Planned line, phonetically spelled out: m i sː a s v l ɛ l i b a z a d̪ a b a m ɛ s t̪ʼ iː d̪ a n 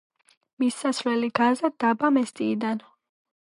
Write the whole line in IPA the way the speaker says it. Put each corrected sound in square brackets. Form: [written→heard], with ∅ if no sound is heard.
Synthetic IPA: m i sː a s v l ɛ l i [b→ɡ] a z a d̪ a b a m ɛ s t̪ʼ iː d̪ a n